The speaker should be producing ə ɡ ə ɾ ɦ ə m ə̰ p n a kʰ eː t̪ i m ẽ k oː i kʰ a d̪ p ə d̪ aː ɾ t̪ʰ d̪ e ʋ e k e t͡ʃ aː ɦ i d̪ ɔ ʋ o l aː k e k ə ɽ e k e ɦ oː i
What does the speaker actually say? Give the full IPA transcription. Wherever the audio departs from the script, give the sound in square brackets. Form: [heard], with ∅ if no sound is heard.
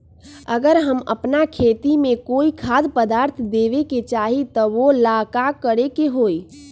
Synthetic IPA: ə ɡ ə ɾ ɦ ə m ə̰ p n a kʰ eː t̪ i m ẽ k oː i kʰ a d̪ p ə d̪ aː ɾ t̪ʰ d̪ e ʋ e k e t͡ʃ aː ɦ i [t̪] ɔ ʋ o l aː k [a] k ə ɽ e k e ɦ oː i